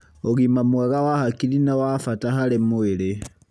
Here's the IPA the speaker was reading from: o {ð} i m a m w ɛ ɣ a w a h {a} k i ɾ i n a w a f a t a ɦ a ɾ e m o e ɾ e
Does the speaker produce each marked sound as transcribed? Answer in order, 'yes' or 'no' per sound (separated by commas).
no, yes